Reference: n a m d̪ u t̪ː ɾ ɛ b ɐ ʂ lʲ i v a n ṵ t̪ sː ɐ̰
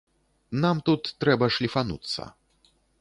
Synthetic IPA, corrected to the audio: n a m t̪ u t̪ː ɾ ɛ b ɐ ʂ lʲ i f a n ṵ t̪ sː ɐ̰